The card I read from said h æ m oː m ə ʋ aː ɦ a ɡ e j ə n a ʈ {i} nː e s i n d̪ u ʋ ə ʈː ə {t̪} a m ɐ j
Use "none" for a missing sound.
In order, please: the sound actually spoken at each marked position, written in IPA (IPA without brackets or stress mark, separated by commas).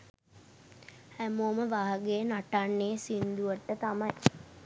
a, t̪